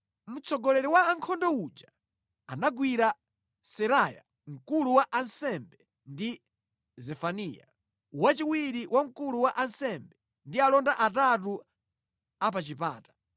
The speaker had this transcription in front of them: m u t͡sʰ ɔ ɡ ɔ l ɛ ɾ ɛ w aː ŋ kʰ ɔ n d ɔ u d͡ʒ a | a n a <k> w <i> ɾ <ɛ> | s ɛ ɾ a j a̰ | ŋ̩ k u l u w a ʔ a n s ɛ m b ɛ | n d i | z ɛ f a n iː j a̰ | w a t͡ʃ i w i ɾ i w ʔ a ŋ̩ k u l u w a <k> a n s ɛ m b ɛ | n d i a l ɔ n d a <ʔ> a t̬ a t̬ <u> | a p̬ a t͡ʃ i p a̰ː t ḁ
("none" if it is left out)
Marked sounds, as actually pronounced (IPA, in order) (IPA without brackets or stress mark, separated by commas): ɡ, i, a, ʔ, ʔ, u